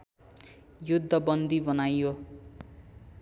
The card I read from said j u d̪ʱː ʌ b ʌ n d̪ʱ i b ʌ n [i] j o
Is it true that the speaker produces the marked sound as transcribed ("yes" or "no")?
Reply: no